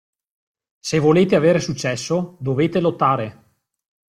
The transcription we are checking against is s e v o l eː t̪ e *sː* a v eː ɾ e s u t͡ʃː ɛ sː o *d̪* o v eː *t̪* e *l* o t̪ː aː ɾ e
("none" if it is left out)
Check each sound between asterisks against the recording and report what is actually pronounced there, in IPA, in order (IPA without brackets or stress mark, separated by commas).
none, d̪, t̪, l